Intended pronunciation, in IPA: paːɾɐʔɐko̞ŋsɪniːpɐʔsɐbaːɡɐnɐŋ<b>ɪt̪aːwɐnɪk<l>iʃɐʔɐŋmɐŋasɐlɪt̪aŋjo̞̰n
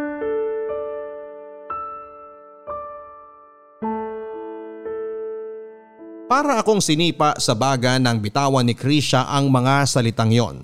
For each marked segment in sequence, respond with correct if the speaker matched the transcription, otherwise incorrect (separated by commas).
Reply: correct, incorrect